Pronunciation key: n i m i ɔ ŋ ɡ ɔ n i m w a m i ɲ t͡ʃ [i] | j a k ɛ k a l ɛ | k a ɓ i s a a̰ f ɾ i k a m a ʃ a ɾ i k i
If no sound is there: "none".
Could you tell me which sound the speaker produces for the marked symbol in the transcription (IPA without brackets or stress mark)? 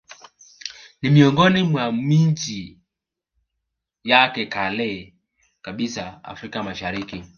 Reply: i